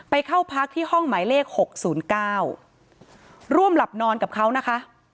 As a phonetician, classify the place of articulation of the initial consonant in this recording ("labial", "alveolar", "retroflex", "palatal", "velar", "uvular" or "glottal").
labial